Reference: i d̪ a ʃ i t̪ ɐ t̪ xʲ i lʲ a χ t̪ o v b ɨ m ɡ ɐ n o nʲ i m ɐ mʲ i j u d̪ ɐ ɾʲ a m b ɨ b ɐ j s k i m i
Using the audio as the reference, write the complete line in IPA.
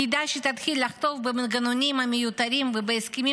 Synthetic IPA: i d̪ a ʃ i t̪ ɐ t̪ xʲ i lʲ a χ t̪ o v b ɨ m ɡ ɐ n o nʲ i m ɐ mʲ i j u t̪ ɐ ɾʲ i m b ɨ b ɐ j s k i m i